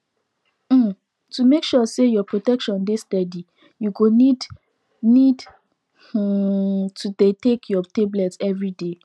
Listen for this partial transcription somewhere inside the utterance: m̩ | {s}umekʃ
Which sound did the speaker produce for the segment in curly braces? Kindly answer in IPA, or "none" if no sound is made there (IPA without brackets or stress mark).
t